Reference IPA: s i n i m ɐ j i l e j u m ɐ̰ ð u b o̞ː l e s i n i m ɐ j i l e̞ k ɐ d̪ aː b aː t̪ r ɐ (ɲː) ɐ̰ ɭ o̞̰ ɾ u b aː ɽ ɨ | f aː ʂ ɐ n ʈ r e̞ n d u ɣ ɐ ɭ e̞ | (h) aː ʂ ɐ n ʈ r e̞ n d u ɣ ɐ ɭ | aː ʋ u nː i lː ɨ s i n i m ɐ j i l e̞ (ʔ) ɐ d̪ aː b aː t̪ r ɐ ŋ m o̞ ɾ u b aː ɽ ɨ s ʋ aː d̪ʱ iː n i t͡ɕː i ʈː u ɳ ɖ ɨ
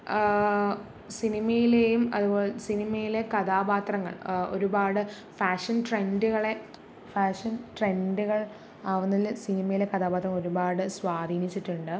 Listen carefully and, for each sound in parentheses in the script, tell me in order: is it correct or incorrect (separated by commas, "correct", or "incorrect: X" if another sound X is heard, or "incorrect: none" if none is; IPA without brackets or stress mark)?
incorrect: ŋː, incorrect: f, incorrect: k